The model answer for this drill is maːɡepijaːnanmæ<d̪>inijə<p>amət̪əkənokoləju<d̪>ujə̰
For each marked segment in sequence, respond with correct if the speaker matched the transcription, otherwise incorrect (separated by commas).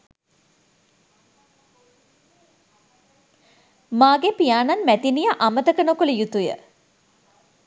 incorrect, incorrect, incorrect